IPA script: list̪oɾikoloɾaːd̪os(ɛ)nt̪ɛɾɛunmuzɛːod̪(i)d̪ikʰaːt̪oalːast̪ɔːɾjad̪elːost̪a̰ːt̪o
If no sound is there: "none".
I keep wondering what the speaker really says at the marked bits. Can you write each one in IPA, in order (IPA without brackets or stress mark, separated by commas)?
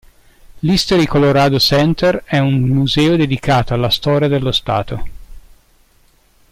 ɛ, e